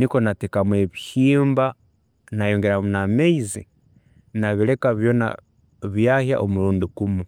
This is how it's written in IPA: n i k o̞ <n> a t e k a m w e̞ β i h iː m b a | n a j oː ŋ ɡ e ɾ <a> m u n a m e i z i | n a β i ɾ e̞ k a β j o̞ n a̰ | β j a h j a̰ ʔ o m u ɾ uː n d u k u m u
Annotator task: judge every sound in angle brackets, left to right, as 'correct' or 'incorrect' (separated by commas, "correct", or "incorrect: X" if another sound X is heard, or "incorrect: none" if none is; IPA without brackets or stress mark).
correct, correct